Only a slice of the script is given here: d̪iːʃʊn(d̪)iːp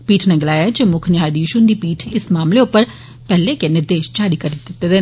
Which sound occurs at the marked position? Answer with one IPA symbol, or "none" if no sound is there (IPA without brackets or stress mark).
d̪